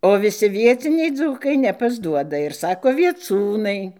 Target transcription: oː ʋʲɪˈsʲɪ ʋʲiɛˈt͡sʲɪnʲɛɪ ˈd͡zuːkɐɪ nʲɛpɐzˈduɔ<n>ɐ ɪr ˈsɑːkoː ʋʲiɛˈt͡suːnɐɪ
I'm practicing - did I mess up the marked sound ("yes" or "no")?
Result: yes